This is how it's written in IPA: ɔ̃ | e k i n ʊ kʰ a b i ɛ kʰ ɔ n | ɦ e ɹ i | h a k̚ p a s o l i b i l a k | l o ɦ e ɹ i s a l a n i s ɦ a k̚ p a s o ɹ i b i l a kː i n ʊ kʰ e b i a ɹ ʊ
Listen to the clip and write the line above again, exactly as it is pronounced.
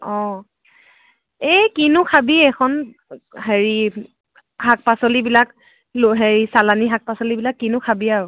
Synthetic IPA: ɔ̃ | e k i n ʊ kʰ a b i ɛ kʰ ɔ n | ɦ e ɹ i | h a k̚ p a s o l i b i l a k | l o ɦ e ɹ i s a l a n i ɦ a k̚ p a s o l i b i l a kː i n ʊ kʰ a b i a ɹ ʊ